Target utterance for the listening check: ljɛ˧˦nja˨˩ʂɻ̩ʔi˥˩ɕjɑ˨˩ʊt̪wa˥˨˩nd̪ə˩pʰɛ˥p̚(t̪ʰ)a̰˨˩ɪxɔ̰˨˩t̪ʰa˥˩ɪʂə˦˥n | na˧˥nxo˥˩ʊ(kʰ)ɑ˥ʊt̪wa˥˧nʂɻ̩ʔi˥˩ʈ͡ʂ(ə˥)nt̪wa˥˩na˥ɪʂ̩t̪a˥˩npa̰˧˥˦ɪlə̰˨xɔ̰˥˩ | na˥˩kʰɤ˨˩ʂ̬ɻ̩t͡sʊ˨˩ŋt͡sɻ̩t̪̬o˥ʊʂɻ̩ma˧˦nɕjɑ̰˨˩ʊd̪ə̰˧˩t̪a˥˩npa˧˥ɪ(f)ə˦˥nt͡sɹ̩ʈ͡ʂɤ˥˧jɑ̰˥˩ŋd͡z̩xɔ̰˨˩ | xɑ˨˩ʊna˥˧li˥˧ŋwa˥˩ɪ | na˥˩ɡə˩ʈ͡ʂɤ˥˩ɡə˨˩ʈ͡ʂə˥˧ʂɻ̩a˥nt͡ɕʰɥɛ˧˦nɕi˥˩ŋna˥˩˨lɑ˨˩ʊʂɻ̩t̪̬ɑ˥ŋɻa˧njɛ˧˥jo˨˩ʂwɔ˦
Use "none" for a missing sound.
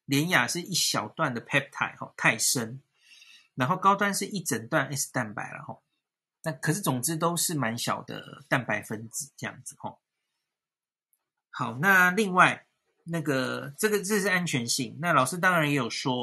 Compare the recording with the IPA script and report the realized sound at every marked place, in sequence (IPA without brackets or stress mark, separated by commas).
t̪ʰ, k, ə˨˩, f